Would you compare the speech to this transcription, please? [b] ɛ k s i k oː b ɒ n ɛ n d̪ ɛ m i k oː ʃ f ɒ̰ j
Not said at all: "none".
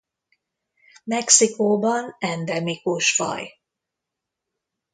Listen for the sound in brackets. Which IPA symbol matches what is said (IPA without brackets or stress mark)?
m